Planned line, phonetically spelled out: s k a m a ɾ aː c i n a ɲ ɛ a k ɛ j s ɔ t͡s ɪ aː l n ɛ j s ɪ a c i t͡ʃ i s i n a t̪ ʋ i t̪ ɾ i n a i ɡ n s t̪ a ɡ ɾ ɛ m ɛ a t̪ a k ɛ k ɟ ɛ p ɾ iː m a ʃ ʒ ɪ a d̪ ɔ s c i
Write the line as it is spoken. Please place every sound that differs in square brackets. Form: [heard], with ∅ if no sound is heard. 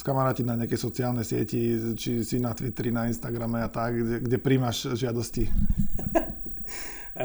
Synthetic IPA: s k a m a ɾ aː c i n a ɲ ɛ a k ɛ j s ɔ t͡s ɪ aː l n ɛ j s ɪ [ɛ] c i t͡ʃ i s i n a t̪ ʋ i t̪ ɾ i n a i [∅] n s t̪ a ɡ ɾ [a] m ɛ a t̪ a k ɛ [ɡ] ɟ ɛ p ɾ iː m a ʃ ʒ ɪ a d̪ ɔ s c i